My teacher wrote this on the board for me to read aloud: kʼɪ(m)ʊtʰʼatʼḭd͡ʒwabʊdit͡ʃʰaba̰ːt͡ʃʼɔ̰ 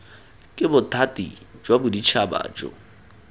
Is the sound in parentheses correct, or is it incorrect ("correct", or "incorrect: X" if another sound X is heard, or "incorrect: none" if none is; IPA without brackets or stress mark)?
incorrect: b